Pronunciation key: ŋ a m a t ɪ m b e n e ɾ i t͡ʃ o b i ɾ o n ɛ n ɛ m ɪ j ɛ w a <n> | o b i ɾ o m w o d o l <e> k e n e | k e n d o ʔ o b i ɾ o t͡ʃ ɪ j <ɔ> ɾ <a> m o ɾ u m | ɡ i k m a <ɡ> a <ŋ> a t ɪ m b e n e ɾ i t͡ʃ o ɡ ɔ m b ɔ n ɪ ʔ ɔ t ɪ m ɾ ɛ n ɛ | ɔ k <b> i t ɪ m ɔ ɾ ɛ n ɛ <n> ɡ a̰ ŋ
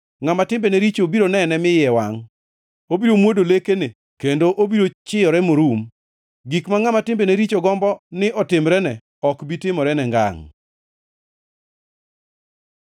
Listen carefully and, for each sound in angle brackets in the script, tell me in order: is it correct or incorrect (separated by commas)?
incorrect, correct, correct, incorrect, incorrect, incorrect, correct, incorrect